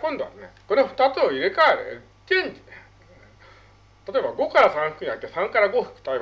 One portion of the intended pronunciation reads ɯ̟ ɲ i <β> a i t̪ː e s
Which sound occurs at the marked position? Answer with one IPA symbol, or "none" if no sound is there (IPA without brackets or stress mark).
none